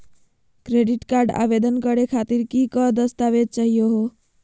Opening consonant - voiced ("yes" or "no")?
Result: no